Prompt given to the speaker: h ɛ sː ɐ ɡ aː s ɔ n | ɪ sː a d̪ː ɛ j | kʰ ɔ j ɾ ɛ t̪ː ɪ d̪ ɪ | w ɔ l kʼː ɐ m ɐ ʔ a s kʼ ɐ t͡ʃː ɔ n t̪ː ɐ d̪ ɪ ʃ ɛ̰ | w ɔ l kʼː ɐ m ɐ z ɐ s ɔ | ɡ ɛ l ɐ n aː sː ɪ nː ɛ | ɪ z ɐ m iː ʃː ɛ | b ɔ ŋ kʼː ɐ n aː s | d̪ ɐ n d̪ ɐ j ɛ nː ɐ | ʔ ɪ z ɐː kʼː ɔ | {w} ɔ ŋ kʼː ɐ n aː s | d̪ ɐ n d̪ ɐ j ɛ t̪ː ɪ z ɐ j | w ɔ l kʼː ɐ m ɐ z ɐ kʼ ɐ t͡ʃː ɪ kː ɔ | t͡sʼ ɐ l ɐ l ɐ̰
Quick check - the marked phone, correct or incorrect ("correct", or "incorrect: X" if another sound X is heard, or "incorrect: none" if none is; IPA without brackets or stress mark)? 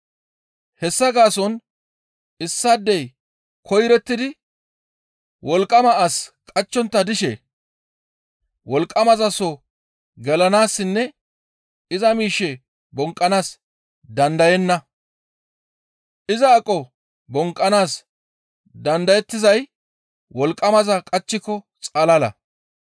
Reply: incorrect: b